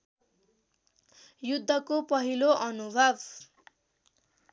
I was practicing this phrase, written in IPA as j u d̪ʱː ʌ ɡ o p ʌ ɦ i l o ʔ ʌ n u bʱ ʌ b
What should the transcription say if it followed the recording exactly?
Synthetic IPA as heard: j u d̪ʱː ʌ k o p ʌ ɦ i l o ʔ ʌ n u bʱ ʌ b